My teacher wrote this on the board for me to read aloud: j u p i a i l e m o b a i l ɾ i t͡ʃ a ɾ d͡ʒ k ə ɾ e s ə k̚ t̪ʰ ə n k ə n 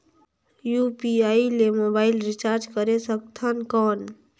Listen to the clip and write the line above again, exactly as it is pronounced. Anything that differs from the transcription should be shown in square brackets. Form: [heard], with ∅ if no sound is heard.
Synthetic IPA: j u p i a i l e m o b a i l ɾ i t͡ʃ a ɾ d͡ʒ k ə ɾ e s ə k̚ t̪ʰ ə n k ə n